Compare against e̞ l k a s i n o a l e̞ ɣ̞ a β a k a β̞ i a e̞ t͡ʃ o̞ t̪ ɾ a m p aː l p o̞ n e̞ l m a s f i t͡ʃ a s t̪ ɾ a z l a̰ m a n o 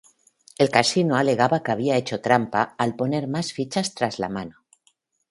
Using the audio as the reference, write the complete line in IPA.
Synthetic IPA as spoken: e̞ l k a s i n o a l e̞ ɣ̞ a β a k a β̞ i a e̞ t͡ʃ o̞ t̪ ɾ a m p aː l p o̞ n e̞ ɾ m a s f i t͡ʃ a s t̪ ɾ a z l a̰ m a n o